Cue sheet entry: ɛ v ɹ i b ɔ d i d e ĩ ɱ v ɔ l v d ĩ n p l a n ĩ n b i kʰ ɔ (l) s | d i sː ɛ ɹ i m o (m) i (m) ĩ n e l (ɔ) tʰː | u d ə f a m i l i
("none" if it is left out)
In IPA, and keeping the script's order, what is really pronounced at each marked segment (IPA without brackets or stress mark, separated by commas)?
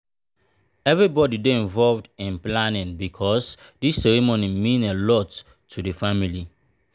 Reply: none, n, m, ɔ